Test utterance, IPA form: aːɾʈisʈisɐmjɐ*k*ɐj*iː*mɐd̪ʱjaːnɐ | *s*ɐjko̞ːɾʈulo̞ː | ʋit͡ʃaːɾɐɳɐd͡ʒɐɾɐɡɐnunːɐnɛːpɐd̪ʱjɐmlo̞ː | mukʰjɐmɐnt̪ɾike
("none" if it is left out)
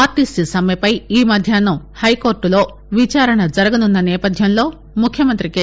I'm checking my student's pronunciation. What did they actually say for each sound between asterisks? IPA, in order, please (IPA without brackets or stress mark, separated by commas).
p, iː, h